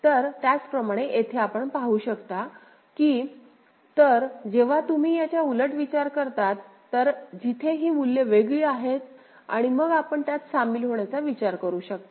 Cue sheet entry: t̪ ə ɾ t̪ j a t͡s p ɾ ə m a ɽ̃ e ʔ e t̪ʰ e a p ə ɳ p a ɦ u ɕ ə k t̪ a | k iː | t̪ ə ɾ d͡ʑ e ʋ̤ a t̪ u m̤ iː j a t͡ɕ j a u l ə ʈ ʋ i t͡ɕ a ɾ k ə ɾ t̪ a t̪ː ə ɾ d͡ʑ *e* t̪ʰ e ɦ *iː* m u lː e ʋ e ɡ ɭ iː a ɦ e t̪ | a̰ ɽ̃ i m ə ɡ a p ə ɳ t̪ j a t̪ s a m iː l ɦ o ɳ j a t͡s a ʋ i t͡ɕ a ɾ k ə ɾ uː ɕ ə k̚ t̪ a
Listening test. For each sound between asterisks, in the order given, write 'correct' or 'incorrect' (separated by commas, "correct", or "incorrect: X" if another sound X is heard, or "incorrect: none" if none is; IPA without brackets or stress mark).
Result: incorrect: i, correct